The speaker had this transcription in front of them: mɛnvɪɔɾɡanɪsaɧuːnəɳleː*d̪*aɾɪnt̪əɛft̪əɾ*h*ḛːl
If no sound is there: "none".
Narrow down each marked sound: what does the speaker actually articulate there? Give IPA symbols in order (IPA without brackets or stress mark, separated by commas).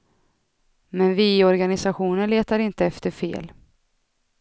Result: t̪, f